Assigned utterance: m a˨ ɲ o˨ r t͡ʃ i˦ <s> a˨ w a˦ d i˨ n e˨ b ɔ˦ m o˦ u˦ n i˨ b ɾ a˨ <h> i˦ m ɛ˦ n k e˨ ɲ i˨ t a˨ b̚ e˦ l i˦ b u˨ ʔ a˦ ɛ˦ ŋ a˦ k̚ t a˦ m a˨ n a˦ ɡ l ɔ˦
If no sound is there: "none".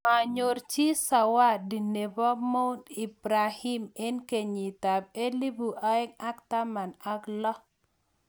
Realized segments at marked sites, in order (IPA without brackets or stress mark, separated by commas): s, h